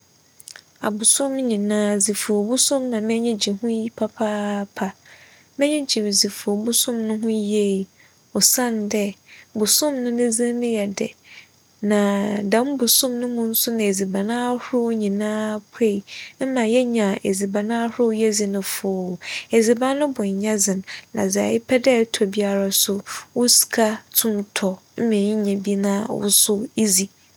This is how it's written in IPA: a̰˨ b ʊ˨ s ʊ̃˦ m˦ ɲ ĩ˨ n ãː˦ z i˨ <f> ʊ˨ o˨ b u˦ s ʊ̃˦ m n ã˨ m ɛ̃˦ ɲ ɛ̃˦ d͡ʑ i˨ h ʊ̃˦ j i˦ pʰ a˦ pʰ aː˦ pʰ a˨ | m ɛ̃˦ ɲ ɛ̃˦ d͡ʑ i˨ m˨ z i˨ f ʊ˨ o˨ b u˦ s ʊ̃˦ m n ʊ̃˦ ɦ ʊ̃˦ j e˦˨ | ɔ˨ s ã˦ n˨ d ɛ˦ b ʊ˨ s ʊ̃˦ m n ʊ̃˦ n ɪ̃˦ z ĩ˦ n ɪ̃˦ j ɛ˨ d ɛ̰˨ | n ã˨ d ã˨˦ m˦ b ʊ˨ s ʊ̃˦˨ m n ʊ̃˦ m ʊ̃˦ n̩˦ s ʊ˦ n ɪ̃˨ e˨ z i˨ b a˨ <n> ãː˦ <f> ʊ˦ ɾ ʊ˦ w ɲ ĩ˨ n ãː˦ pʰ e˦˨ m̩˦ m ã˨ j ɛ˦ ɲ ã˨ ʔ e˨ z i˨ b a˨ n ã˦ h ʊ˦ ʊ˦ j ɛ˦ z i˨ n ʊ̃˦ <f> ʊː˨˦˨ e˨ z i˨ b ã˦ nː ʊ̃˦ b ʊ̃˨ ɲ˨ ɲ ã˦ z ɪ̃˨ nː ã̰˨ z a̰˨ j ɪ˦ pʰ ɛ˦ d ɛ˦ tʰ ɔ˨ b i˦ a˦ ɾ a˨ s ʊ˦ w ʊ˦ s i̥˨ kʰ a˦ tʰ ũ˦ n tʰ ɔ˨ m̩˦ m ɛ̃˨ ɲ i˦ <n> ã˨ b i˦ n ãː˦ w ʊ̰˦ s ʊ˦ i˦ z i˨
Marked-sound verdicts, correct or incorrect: correct, correct, incorrect: h, correct, incorrect: ɲ

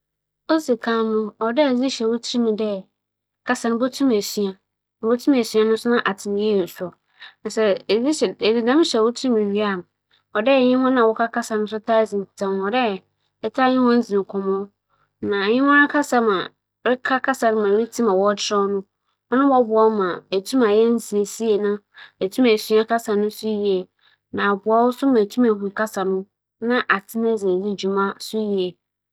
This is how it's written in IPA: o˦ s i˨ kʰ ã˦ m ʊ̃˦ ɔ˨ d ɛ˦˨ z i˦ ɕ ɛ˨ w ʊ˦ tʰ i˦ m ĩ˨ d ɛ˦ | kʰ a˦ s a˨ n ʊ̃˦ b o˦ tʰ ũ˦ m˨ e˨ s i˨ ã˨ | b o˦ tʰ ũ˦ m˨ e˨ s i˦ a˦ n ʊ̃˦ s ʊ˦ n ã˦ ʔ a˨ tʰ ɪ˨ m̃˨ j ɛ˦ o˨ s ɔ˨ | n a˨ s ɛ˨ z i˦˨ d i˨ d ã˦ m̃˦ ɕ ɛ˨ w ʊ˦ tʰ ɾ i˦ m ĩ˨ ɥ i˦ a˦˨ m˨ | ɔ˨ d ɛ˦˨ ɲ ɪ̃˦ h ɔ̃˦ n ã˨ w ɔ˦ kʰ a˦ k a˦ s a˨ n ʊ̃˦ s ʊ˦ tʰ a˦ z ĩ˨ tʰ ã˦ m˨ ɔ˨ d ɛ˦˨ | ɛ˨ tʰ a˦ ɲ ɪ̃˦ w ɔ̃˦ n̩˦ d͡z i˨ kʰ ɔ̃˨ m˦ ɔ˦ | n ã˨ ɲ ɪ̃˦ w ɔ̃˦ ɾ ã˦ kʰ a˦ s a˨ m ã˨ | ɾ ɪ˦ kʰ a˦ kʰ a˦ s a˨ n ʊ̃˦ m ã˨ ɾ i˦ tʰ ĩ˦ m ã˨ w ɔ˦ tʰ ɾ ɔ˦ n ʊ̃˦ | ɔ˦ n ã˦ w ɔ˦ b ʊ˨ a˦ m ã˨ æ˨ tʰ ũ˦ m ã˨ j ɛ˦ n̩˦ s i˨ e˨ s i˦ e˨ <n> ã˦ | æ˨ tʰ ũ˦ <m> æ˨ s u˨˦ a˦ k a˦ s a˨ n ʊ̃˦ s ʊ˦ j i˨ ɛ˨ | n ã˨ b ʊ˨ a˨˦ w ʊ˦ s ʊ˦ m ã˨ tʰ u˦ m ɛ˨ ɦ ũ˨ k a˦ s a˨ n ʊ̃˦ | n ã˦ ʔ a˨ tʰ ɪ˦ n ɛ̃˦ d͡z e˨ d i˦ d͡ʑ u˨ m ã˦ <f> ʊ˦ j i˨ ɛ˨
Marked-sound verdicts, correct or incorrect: correct, correct, incorrect: s

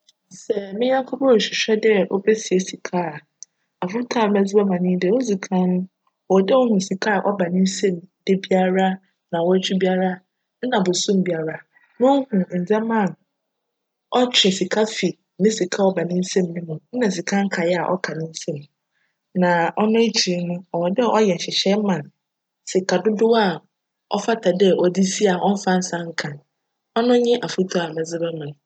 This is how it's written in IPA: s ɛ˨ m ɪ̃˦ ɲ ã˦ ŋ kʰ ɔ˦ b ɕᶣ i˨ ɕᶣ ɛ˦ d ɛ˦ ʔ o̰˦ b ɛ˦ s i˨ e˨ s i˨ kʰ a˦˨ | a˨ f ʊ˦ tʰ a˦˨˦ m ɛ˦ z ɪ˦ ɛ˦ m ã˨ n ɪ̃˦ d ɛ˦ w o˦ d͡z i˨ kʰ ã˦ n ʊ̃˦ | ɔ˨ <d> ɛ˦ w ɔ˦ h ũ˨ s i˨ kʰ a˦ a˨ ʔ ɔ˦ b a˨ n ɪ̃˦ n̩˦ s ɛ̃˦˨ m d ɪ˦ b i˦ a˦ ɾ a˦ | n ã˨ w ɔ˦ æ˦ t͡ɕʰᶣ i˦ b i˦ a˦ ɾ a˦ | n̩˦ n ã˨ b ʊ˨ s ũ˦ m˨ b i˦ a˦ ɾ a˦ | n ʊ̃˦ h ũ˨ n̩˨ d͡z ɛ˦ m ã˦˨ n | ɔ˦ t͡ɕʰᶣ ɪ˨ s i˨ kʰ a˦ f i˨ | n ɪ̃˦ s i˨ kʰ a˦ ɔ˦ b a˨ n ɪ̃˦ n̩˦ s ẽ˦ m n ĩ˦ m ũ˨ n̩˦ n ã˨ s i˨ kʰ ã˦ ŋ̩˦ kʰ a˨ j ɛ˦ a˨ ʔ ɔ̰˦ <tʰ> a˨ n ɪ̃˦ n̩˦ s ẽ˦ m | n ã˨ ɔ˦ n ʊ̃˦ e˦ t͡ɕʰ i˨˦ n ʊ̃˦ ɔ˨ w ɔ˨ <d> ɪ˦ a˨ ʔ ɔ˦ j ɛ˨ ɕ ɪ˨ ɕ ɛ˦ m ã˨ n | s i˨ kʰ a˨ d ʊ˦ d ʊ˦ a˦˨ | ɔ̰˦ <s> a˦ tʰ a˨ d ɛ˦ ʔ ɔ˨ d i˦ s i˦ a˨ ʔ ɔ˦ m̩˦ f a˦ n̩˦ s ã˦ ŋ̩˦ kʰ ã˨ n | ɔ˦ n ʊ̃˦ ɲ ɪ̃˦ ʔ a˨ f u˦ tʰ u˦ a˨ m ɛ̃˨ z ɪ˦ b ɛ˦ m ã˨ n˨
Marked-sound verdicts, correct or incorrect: correct, incorrect: kʰ, correct, incorrect: f

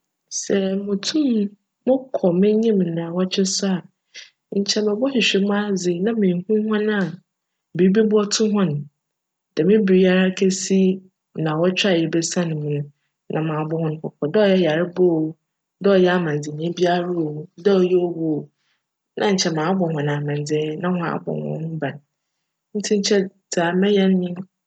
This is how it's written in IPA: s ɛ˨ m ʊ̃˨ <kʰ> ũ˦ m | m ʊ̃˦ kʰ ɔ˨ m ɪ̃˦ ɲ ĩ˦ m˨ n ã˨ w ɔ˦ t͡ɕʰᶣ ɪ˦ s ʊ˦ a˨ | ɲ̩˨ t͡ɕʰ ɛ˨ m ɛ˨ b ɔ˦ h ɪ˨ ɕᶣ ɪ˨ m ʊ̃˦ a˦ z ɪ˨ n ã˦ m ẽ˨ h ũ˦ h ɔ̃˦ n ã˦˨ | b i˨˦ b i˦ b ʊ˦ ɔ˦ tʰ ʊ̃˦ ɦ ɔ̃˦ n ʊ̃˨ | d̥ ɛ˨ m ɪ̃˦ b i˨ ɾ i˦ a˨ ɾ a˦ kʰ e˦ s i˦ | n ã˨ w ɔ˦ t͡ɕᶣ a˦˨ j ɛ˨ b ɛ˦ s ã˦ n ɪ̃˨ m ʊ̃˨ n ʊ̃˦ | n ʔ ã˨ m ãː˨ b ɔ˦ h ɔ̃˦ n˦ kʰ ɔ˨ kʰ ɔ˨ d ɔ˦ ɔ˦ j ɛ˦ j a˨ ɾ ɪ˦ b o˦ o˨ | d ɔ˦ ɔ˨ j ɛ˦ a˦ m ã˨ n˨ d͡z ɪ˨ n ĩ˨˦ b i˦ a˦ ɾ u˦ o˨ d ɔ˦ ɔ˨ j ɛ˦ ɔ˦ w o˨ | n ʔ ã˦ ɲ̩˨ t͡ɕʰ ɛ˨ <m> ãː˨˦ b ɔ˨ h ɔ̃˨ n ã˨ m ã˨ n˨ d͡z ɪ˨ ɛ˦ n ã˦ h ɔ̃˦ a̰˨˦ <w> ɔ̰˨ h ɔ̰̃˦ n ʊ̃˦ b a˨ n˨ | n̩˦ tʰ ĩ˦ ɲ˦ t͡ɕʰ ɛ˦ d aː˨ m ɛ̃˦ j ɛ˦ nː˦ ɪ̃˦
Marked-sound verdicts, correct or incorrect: incorrect: tʰ, correct, incorrect: b

